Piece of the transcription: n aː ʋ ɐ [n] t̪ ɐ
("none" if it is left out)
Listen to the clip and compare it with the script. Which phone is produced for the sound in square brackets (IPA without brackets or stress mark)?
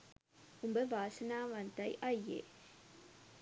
n